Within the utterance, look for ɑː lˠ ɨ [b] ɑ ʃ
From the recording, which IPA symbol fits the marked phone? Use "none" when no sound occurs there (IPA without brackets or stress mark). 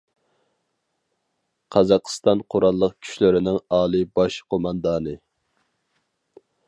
b